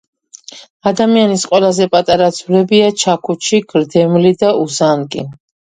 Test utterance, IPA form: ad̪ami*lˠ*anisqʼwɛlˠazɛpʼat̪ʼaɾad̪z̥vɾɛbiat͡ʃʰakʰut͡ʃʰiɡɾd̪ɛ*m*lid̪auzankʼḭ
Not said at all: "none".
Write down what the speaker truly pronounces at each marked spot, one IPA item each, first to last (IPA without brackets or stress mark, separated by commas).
none, m